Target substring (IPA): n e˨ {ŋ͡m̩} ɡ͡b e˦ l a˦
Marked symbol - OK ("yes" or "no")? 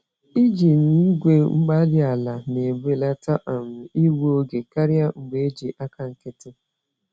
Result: no